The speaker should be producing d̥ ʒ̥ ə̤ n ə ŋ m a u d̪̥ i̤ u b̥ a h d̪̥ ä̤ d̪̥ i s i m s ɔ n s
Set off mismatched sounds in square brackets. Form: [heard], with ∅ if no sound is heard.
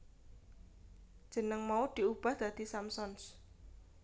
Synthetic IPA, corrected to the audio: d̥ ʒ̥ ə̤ n ə ŋ m a u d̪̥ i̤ u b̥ a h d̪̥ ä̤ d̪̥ i s [a] m s ɔ n s